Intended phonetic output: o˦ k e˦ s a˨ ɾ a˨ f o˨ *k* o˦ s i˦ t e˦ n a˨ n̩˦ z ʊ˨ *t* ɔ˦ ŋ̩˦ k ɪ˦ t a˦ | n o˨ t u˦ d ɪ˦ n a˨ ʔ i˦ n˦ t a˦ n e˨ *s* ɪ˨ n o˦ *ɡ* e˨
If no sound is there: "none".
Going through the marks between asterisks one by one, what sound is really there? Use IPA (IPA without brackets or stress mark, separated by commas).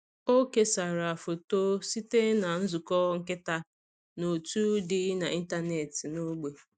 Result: t, k, t, ɡ͡b